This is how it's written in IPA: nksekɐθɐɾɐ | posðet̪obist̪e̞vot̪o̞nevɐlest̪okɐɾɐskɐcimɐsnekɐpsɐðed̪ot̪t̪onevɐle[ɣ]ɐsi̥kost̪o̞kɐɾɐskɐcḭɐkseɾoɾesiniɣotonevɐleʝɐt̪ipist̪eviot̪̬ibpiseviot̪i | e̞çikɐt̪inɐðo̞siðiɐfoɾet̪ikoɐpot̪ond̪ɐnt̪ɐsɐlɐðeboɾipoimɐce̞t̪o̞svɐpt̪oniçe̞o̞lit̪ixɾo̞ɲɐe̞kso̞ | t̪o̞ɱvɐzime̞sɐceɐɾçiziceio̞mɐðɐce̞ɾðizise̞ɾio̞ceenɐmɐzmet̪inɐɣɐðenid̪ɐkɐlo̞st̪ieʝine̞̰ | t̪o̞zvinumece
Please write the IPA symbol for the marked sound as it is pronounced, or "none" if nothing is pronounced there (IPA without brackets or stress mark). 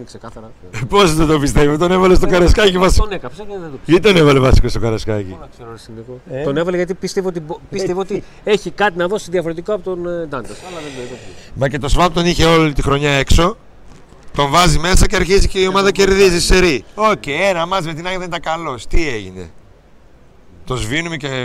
v